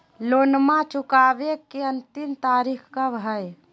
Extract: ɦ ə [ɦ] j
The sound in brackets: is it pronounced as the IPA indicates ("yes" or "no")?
no